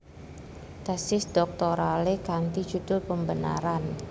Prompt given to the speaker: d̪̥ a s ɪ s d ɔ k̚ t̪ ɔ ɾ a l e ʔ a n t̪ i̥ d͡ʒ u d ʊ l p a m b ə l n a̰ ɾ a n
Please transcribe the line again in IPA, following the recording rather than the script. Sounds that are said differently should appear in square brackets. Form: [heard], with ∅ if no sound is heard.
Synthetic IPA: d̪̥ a s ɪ s d ɔ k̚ t̪ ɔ ɾ a l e [k] a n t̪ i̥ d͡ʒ u d ʊ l p [ə] m b ə [∅] n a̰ ɾ a n